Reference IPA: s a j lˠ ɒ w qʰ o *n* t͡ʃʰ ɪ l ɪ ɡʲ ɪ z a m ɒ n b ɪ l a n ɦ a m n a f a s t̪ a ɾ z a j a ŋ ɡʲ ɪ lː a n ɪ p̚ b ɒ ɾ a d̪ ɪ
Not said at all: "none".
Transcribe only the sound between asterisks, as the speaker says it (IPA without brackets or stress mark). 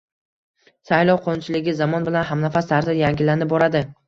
n